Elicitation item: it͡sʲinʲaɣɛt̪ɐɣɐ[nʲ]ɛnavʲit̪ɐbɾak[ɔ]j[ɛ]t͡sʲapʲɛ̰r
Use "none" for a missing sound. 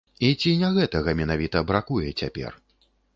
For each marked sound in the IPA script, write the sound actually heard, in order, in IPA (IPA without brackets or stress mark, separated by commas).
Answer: mʲ, u, ɛ